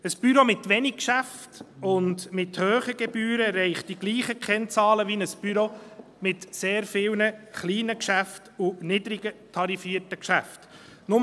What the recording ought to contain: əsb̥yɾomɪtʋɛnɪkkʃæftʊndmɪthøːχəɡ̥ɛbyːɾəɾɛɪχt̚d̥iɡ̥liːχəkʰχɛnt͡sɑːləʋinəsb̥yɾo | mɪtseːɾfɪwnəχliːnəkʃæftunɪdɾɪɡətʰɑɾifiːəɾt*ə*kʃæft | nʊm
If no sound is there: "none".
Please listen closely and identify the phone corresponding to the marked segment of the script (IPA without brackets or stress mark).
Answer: ə